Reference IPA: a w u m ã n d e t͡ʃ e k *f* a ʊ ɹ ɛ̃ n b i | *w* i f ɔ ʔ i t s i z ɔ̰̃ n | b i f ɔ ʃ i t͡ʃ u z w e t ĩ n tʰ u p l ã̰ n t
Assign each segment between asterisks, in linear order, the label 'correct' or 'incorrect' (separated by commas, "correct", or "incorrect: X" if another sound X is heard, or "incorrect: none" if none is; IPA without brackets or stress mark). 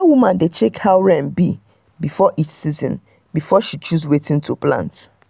incorrect: h, incorrect: b